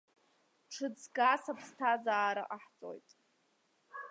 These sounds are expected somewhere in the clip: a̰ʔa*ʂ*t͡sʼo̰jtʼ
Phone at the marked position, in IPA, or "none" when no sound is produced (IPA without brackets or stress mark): ħ